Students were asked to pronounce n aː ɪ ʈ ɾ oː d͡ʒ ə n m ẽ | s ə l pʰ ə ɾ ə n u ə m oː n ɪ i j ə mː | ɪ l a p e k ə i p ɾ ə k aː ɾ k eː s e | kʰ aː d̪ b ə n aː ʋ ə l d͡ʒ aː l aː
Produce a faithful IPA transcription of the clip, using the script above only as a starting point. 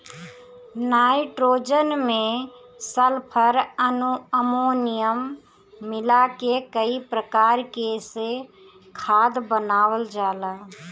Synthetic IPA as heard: n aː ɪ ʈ ɾ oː d͡ʒ ə n m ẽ | s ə l pʰ ə ɾ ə n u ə m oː n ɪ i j ə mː | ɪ l a k e k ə i p ɾ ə k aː ɾ k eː s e | kʰ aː d̪ b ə n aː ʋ ə l d͡ʒ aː l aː